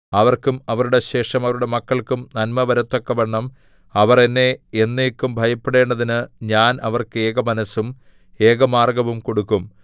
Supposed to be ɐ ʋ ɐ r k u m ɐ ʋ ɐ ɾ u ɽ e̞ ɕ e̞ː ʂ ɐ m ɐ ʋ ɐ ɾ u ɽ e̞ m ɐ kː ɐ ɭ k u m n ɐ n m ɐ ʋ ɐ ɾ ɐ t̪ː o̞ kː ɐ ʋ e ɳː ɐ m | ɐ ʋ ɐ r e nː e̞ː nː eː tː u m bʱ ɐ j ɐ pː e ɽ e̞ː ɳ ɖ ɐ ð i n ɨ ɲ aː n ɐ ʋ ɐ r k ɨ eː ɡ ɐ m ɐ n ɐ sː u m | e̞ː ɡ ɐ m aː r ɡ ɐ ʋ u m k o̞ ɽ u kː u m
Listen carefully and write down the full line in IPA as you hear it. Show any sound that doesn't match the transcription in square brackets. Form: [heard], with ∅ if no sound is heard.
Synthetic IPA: ɐ ʋ ɐ r k u m ɐ ʋ ɐ ɾ u ɽ e̞ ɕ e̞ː ʂ ɐ m ɐ ʋ ɐ ɾ u ɽ e̞ m ɐ kː ɐ ɭ k u m n ɐ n m ɐ ʋ ɐ ɾ ɐ t̪ː o̞ kː ɐ ʋ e ɳː ɐ m | ɐ ʋ ɐ r e nː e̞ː nː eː [kː] u m bʱ ɐ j ɐ pː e ɽ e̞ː ɳ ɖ ɐ ð i n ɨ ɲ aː n ɐ ʋ ɐ r k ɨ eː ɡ ɐ m ɐ n ɐ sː u m | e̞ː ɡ ɐ m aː r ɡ ɐ ʋ u m k o̞ ɽ u kː u m